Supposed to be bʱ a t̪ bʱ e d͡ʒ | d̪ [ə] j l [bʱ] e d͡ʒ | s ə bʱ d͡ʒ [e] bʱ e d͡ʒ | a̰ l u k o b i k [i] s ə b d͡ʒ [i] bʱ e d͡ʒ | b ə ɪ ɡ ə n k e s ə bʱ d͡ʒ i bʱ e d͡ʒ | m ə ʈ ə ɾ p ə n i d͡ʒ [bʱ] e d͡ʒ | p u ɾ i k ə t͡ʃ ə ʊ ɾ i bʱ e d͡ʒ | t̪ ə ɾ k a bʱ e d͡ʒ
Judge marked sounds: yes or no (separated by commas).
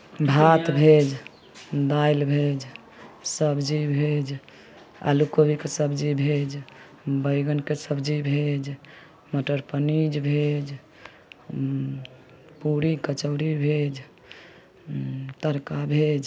no, yes, no, no, yes, yes